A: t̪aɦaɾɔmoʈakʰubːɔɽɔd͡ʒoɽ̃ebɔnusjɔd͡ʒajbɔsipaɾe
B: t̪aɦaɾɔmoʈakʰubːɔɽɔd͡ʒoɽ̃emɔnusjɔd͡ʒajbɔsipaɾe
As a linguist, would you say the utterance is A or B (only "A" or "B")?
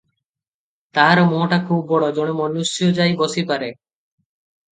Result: B